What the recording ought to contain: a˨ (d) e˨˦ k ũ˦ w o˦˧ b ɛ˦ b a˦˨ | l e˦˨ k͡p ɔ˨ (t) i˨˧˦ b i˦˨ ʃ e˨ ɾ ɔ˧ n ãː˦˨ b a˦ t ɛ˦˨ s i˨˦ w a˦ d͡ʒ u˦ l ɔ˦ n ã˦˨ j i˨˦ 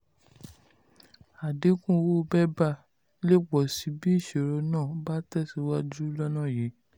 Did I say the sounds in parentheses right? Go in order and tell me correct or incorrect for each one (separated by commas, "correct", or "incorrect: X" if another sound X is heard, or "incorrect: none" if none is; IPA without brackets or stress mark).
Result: correct, incorrect: s